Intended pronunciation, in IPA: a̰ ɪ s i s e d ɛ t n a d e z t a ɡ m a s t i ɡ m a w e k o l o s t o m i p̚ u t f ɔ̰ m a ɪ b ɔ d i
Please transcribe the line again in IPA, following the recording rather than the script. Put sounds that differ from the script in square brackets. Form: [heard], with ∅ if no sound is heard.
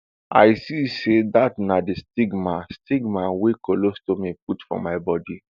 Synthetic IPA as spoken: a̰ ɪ s i s e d [a] t n a d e [s] t [i] ɡ m a s t i ɡ m a w e k o l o s t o m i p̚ u t f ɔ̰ m a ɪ b ɔ d i